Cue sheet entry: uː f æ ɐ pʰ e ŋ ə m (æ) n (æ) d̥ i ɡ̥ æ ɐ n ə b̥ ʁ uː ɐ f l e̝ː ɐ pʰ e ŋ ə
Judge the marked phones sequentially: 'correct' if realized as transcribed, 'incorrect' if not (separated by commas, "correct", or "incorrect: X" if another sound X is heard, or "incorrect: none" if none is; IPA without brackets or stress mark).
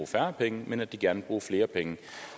incorrect: e, correct